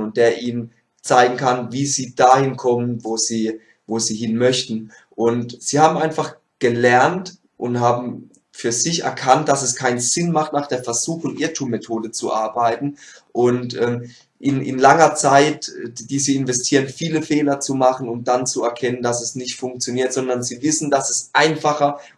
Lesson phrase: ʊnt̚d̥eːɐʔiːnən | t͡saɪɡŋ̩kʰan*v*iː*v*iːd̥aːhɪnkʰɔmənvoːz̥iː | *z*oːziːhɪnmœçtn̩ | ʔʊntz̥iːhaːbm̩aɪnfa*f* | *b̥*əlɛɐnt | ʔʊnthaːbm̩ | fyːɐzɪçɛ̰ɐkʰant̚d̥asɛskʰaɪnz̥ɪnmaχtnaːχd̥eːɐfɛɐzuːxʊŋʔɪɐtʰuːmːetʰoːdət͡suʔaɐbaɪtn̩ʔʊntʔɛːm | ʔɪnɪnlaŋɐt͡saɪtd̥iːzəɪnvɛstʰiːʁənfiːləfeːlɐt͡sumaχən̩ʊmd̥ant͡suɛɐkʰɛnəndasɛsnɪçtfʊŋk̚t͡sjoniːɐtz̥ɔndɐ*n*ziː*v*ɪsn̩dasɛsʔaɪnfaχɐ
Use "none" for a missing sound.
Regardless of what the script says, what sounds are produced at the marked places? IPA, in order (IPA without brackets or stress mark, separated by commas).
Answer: v, z, v, χ, ɡ̥, n, v